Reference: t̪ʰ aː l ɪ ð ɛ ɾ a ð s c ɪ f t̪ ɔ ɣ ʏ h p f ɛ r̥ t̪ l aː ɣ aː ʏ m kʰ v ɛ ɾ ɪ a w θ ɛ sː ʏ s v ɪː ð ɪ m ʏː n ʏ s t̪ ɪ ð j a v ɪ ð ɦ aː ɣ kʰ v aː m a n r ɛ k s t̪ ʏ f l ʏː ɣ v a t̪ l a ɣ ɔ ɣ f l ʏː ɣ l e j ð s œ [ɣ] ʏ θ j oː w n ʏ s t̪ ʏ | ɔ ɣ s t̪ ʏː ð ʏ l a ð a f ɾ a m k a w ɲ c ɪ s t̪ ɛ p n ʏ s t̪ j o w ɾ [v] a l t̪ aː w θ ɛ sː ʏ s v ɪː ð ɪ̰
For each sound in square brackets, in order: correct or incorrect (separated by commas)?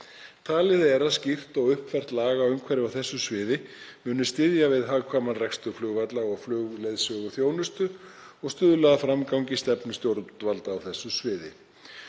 correct, correct